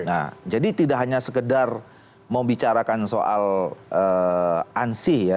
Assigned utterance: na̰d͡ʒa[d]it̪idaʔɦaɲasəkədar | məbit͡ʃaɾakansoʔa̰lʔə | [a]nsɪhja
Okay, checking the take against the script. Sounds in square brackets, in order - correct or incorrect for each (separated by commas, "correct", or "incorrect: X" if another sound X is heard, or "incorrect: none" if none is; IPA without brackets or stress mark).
correct, correct